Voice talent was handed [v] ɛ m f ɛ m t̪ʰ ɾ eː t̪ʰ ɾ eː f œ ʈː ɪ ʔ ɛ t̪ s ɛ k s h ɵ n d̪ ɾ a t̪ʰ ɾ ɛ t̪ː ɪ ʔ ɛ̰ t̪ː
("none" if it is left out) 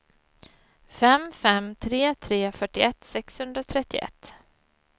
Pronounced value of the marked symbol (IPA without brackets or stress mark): f